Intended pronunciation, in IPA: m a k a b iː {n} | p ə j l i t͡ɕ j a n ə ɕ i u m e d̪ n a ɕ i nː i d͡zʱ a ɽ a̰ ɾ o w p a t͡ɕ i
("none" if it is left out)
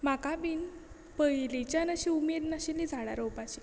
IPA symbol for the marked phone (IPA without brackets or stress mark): n